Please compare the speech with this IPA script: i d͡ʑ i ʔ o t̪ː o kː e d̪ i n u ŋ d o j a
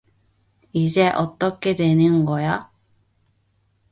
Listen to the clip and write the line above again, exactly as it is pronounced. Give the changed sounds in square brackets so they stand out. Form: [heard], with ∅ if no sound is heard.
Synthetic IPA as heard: i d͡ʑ [e] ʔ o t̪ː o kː e d̪ [e] n [ɯ] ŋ [ɡ] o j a